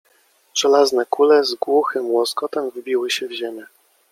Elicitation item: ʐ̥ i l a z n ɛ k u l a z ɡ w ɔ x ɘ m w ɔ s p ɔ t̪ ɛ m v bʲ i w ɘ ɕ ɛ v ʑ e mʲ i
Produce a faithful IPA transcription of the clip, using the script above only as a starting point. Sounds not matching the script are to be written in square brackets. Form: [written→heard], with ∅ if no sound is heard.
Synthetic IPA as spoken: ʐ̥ [i→ɛ] l a z n ɛ k u l [a→ɛ] z ɡ w [ɔ→u] x ɘ m w ɔ s [p→k] ɔ t̪ ɛ m v bʲ i w ɘ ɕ ɛ v ʑ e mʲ [i→ɛ]